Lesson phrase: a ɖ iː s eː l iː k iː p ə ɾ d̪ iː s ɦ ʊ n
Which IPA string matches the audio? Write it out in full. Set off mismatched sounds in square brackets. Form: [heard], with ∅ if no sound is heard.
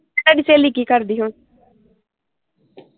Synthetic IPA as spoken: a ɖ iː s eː l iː k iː [k] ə ɾ d̪ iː [∅] ɦ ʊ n

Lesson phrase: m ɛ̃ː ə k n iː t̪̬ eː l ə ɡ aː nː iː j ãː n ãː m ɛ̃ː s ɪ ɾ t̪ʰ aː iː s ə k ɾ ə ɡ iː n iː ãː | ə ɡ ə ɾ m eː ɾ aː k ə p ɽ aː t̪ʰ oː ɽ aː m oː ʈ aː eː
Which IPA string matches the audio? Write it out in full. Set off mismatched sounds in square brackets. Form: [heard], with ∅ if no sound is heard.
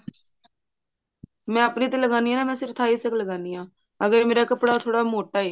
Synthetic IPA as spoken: m ɛ̃ː ə [p] n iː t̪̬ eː l ə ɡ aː [n] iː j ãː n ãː m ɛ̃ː s ɪ ɾ t̪ʰ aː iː s ə k [l] ə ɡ [aː] n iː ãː | ə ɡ ə ɾ m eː ɾ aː k ə p ɽ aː t̪ʰ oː ɽ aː m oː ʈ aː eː

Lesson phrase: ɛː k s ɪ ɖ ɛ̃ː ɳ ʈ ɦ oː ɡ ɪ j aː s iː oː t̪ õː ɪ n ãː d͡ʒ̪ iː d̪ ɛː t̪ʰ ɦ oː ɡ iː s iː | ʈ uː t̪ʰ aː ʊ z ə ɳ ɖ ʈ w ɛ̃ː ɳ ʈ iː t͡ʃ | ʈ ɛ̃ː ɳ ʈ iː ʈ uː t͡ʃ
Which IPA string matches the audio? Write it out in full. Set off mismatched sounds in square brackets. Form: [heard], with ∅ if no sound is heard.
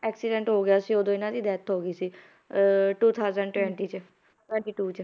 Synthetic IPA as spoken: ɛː k s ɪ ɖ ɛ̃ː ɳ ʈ ɦ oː ɡ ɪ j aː s iː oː [d̪] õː ɪ n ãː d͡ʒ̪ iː d̪ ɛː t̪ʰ ɦ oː ɡ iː s iː | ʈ uː t̪ʰ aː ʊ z ə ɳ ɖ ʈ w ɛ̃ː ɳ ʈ iː t͡ʃ | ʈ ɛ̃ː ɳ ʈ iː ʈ uː t͡ʃ

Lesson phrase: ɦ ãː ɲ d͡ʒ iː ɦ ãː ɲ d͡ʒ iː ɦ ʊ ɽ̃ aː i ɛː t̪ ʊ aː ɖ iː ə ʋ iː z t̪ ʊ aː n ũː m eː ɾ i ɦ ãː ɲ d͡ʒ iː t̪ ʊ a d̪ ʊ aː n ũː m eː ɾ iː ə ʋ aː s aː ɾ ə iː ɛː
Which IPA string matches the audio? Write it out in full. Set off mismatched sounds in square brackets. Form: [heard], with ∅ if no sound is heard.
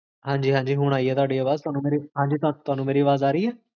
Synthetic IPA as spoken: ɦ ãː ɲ d͡ʒ iː ɦ ãː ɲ d͡ʒ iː ɦ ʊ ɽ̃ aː i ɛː t̪ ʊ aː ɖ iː ə ʋ [aː] z t̪ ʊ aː n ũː m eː ɾ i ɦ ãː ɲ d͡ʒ iː t̪ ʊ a [t̪] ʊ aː n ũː m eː ɾ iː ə ʋ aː [z] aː ɾ ə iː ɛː

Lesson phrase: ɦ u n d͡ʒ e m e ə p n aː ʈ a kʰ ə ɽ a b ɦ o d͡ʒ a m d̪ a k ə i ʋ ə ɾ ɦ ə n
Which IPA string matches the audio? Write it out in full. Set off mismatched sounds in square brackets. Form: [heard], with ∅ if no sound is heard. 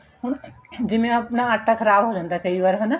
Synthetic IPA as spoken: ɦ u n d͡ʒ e m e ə p n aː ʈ a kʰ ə [ɾ] a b ɦ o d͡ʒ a [n] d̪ a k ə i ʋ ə ɾ ɦ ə n

